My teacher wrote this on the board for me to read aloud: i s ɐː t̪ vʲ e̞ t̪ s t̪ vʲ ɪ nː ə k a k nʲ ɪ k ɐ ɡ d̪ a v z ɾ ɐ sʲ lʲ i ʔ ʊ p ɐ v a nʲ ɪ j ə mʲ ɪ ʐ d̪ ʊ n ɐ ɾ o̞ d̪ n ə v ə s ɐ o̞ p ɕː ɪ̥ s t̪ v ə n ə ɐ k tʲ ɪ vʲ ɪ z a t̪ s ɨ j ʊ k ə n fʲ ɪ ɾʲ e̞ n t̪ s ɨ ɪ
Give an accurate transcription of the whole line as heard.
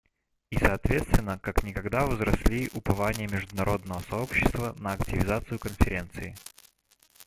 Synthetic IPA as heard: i s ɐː t̪ vʲ e̞ t̪ s t̪ vʲ ɪ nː ə k a k nʲ ɪ k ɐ ɡ d̪ a v z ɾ ɐ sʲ lʲ i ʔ ʊ p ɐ v a nʲ ɪ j ə mʲ ɪ ʐ d̪ ʊ n ɐ ɾ o̞ d̪ n ə v ə s ɐ o̞ p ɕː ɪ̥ s t̪ v ə n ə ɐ k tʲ ɪ vʲ ɪ z a t̪ s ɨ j ʊ k ə n fʲ ɪ ɾʲ e̞ n t̪ s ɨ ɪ